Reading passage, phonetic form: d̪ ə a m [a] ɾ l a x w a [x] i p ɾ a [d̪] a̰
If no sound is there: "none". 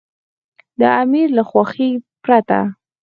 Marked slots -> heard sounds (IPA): i, x, t̪

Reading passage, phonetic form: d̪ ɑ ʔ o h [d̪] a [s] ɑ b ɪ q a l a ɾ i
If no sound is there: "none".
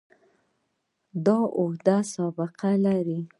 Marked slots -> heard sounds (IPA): d̪, s

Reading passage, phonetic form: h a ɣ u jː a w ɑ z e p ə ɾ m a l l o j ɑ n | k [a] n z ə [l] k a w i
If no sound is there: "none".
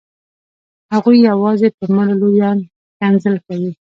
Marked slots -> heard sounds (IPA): a, l

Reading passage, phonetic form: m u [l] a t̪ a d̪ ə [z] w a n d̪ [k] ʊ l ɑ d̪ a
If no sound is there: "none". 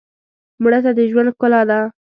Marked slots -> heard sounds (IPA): ɽ, ʒ, k

